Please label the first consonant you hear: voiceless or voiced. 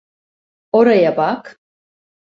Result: voiced